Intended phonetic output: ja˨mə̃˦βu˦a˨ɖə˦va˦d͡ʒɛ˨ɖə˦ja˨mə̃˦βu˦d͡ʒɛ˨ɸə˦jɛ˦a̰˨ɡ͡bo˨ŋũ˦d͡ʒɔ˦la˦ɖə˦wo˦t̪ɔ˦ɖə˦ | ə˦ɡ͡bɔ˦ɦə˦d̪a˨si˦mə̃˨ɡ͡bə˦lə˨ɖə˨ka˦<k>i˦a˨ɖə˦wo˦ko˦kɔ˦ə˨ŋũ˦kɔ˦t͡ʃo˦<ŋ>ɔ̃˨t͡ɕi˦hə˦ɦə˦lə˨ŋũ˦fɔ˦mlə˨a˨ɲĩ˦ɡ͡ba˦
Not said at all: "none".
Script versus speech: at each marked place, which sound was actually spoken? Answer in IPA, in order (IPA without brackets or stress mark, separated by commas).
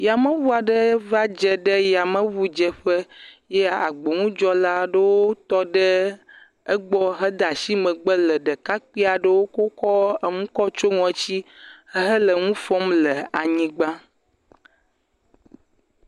k͡p, ŋ